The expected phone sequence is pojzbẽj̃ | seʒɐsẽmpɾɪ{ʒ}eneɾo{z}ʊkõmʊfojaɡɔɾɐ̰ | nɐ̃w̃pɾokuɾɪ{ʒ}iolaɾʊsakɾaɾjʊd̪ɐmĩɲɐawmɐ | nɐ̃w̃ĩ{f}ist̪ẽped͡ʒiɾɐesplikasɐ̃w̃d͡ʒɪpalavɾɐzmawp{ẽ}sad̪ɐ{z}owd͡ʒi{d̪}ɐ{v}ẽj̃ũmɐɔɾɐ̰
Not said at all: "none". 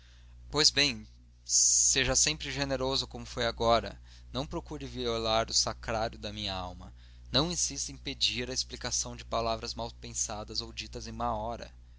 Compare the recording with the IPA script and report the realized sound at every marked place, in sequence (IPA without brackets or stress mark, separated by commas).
ʒ, z, v, s, ẽ, z, t̪, z